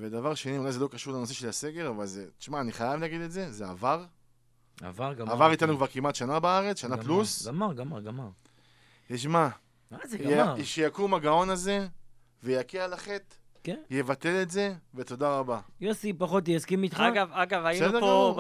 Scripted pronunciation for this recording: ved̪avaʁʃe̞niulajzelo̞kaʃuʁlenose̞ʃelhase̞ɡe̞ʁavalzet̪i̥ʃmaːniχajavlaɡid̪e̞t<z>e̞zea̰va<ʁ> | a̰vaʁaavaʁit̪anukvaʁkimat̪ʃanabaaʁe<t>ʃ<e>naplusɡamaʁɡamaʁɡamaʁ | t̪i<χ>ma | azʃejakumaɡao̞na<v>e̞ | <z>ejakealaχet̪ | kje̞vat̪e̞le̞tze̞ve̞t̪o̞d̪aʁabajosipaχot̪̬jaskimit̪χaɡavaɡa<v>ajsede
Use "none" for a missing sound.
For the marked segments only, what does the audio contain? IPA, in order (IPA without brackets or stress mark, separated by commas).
z, ʁ, t͡s, a, ʃ, z, v, v